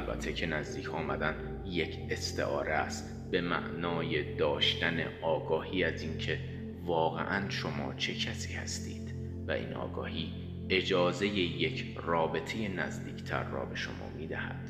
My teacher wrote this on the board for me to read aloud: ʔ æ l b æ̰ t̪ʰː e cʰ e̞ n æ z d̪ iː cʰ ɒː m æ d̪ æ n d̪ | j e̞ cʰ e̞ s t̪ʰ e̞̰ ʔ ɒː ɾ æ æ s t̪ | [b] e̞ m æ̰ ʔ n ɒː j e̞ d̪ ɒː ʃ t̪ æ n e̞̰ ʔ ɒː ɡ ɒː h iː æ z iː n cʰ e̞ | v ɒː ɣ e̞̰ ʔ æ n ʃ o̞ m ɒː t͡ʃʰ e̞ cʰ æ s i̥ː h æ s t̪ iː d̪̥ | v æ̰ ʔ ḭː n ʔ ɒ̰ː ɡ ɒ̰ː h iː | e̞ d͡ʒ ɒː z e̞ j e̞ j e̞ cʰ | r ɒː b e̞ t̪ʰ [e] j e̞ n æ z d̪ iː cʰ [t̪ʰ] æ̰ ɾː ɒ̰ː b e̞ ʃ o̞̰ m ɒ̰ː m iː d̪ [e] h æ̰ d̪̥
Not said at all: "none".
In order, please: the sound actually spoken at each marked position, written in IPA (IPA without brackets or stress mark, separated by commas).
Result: b, e, t̪ʰ, æ